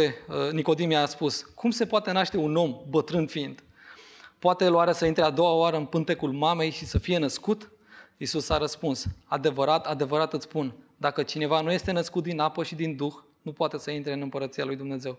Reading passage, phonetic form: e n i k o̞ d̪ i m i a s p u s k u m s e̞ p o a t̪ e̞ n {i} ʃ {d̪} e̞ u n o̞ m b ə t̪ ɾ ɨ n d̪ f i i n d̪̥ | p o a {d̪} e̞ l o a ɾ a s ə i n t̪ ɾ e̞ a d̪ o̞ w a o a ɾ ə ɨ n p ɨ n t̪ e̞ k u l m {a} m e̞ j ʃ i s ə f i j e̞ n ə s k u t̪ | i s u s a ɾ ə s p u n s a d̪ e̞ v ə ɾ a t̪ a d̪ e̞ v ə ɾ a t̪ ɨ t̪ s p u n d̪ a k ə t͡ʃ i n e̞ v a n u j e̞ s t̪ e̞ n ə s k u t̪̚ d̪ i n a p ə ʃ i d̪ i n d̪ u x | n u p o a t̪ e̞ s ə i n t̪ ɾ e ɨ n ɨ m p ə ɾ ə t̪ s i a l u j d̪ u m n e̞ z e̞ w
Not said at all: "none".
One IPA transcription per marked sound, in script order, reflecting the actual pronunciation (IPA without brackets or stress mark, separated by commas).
a, t̪, t̪, a